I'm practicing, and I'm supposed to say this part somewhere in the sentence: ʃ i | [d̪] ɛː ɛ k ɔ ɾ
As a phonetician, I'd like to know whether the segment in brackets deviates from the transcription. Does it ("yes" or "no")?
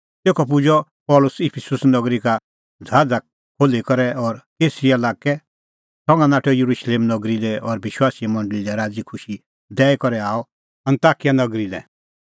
no